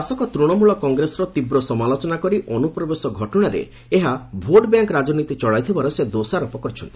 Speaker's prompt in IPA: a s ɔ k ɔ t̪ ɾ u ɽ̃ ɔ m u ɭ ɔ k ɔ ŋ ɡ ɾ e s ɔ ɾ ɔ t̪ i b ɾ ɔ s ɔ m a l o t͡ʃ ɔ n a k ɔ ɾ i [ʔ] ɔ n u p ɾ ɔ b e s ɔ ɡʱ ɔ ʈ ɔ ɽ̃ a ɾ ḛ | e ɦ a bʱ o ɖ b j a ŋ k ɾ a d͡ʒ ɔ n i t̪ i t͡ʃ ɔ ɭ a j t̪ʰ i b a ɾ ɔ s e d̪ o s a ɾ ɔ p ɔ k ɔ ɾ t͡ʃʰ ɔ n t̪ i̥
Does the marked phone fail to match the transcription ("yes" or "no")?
no